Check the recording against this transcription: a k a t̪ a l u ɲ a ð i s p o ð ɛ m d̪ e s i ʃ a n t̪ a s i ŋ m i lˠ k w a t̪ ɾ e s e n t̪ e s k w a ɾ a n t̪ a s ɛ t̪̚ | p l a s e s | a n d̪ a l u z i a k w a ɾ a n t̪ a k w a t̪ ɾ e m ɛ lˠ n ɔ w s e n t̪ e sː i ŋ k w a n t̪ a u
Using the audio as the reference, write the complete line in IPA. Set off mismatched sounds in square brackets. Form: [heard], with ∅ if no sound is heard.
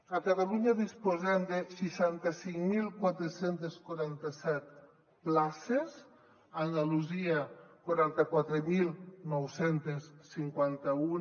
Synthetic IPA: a k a t̪ a l u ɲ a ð i s p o [z] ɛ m d̪ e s i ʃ a n t̪ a s i ŋ m i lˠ k w a t̪ ɾ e s e n t̪ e s k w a ɾ a n t̪ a s ɛ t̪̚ | p l a s e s | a n d̪ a l u z i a k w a ɾ a n t̪ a k w a t̪ ɾ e m [i] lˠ n ɔ w s e n t̪ e sː i ŋ k w a n t̪ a u